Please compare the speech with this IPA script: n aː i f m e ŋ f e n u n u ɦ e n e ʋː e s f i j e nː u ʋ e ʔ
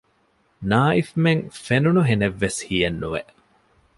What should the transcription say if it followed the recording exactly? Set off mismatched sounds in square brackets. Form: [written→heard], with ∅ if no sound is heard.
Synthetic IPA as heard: n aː i f m e ŋ f e n u n u ɦ e n e ʋː e s [f→h] i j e nː u ʋ e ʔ